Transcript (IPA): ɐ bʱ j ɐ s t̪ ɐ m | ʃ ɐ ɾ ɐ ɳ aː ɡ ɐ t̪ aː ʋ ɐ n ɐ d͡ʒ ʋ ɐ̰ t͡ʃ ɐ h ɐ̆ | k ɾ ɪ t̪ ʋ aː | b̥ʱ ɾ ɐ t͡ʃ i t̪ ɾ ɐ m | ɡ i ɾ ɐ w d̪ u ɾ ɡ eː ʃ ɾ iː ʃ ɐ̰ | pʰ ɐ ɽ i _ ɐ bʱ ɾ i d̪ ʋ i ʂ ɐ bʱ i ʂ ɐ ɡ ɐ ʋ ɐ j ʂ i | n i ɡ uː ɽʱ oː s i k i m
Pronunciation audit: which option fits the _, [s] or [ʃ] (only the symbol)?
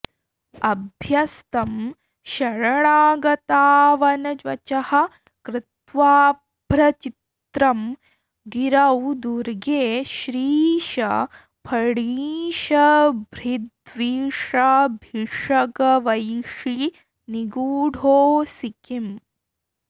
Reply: ʃ